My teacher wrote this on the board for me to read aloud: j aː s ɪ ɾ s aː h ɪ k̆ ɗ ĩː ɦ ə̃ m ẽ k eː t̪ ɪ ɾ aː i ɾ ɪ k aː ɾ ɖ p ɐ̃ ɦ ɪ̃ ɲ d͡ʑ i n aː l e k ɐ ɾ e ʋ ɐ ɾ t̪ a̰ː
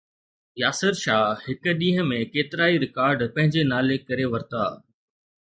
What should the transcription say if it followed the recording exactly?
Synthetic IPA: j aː s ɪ ɾ ʃ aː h ɪ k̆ ɗ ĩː ɦ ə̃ m ẽ k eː t̪ ɪ ɾ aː i ɾ ɪ k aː ɾ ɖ p ɐ̃ ɦ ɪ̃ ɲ d͡ʑ e n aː l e k ɐ ɾ e ʋ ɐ ɾ t̪ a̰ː